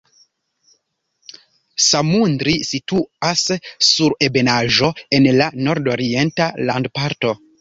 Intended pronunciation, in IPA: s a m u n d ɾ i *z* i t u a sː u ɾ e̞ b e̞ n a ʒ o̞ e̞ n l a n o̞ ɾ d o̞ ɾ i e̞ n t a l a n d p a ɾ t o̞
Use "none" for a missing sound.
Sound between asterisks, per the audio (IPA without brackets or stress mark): s